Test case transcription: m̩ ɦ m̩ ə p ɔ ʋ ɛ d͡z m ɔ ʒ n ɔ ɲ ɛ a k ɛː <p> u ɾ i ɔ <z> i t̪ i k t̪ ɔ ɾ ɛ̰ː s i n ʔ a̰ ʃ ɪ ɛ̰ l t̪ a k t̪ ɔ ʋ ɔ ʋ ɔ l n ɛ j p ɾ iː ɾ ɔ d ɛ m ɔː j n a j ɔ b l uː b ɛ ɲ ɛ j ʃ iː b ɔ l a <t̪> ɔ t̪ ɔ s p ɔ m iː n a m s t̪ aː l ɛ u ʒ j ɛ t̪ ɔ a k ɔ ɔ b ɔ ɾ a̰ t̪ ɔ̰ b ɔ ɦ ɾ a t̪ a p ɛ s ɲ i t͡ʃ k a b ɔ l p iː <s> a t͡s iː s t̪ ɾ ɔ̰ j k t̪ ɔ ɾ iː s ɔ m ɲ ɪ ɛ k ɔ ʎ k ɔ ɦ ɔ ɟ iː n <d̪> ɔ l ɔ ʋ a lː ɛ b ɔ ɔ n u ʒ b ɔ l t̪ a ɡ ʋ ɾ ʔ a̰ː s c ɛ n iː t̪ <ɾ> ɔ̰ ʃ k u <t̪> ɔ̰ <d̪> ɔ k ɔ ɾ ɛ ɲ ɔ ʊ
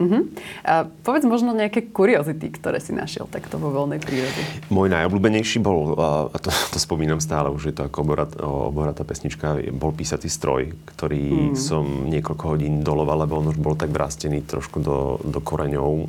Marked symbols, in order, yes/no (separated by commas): no, yes, yes, yes, yes, yes, no, yes